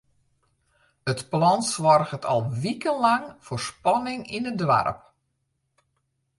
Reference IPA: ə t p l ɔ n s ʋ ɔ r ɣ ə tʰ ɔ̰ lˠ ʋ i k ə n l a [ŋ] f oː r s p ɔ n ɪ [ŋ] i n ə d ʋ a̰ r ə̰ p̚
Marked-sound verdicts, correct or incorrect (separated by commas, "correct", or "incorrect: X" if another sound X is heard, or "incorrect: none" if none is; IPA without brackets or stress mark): correct, correct